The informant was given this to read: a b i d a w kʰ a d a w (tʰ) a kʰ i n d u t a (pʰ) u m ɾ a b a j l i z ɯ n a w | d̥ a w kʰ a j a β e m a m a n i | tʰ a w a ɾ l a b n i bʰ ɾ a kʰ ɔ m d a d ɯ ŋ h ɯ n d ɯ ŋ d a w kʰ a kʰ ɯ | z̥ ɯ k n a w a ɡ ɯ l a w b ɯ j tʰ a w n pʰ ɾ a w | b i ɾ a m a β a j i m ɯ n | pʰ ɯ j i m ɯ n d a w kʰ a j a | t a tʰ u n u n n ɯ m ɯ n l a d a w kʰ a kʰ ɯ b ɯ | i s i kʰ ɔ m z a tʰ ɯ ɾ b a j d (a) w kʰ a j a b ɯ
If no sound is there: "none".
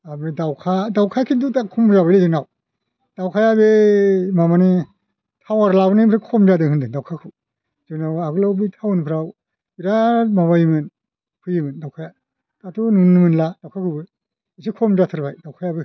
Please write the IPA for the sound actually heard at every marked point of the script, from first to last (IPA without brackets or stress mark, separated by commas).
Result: kʰ, kʰ, a